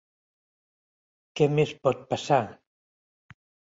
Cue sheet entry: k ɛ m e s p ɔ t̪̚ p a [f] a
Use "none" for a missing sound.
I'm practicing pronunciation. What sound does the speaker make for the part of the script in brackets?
s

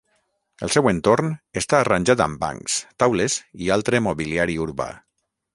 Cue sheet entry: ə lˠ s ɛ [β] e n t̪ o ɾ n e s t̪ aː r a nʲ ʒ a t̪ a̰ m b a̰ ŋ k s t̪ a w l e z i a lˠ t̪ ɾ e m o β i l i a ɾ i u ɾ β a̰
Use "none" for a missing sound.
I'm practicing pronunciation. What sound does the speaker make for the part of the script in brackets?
w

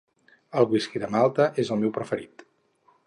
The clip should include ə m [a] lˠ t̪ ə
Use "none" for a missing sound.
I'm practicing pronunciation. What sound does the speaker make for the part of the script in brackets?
a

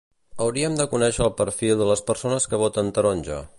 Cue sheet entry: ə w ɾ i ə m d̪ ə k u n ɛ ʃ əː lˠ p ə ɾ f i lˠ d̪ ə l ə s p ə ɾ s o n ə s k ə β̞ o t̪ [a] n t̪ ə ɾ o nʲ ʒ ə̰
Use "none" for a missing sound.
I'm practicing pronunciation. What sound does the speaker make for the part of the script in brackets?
ə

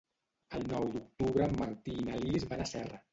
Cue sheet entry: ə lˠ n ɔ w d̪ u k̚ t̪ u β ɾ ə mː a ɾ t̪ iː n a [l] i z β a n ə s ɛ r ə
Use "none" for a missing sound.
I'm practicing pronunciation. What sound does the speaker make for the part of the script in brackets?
l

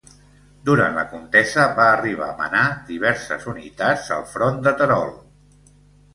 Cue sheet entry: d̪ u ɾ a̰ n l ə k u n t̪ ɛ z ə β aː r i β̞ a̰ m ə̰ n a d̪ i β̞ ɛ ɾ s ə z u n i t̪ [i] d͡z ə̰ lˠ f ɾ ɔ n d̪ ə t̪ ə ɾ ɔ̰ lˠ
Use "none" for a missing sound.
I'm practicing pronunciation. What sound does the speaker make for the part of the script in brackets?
a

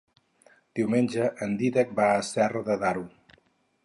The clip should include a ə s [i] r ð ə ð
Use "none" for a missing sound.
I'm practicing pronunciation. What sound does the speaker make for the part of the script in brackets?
ɛ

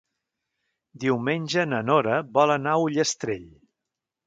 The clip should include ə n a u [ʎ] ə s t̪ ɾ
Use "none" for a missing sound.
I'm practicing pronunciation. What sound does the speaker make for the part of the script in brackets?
ʎ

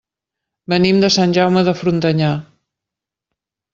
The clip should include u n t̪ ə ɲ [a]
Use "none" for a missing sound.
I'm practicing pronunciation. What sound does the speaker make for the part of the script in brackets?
a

